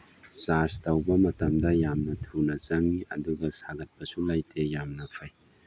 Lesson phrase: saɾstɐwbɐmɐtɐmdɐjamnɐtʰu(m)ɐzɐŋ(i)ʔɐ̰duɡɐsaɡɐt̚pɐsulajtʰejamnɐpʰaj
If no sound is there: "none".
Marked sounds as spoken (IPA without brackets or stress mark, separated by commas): n, i